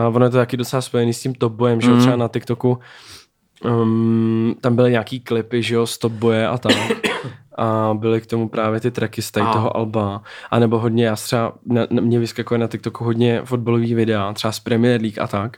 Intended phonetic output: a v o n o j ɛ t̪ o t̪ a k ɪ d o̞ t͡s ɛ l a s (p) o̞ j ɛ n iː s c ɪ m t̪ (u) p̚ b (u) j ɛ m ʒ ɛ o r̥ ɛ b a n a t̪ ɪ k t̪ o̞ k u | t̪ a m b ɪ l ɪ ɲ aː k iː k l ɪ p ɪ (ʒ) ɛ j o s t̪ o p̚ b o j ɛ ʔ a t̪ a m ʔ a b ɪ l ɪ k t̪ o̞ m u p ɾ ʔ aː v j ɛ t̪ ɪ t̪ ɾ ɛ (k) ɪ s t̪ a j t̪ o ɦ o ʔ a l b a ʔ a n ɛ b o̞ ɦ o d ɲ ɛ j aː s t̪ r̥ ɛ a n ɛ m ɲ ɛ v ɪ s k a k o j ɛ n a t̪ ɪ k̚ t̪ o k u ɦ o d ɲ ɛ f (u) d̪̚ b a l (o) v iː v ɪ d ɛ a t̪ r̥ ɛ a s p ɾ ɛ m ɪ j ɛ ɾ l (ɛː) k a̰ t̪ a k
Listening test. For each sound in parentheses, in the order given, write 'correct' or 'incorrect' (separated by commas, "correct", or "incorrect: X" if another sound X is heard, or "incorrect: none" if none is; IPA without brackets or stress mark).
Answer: correct, incorrect: o, incorrect: o, correct, correct, incorrect: o, correct, incorrect: iː